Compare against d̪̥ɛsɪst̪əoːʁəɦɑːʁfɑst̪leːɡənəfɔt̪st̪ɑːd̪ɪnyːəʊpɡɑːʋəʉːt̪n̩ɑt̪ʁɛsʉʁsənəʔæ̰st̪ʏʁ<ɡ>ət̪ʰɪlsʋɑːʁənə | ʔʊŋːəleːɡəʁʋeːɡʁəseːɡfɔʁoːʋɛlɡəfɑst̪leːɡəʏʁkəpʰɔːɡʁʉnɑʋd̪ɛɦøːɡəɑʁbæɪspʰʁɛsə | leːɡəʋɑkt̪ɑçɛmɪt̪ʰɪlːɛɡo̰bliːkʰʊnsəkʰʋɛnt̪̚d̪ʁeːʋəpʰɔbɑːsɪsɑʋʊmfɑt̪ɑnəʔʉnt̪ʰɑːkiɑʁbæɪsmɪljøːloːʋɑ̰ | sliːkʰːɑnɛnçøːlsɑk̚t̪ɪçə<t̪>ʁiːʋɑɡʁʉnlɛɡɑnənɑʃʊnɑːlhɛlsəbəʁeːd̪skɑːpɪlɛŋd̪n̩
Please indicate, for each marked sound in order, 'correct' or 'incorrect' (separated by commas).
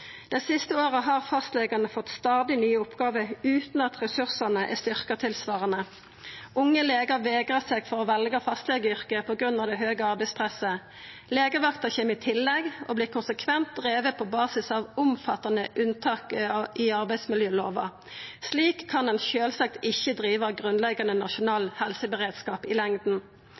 incorrect, incorrect